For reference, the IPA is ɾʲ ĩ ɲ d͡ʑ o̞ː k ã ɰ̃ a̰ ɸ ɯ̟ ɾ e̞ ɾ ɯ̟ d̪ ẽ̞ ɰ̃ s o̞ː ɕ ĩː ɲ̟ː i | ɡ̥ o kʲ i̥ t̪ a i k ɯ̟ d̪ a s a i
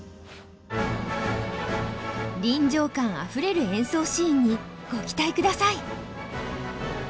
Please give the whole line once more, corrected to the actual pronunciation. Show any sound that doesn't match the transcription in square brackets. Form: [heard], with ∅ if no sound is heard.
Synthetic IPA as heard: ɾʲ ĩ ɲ d͡ʑ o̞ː k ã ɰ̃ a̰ ɸ ɯ̟ ɾ e̞ ɾ ɯ̟ [∅] ẽ̞ ɰ̃ s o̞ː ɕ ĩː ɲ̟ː i | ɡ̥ o kʲ i̥ t̪ a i k ɯ̟ d̪ a s a i